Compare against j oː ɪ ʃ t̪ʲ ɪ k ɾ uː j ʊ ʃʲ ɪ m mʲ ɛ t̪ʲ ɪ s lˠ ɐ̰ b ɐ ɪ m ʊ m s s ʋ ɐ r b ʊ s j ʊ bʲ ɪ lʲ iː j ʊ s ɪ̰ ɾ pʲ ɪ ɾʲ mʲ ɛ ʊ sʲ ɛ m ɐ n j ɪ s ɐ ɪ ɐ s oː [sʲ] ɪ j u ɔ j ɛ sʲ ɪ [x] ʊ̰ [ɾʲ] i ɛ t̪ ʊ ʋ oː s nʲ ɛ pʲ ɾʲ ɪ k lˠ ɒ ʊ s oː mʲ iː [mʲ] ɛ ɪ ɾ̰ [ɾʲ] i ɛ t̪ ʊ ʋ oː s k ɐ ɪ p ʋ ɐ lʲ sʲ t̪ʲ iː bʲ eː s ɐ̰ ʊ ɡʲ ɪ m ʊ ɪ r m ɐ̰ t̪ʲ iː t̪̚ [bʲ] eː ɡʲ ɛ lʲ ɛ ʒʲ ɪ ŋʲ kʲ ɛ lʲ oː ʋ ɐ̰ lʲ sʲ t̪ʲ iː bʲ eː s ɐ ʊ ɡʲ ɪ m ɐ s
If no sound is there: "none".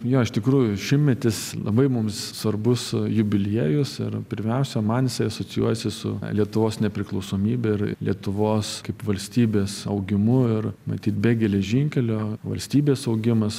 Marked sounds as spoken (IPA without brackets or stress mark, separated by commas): t͡sʲ, s, lʲ, bʲ, lʲ, bʲ